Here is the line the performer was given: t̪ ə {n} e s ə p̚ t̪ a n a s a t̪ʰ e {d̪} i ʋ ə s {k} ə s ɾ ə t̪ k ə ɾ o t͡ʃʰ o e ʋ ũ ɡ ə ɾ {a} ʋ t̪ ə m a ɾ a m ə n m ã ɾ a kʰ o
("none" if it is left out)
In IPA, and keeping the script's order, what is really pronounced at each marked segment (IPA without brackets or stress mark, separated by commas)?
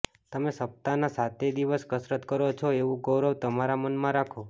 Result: m, d̪, k, ə